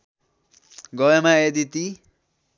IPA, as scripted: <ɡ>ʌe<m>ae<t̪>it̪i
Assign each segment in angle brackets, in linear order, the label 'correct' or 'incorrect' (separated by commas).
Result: correct, correct, incorrect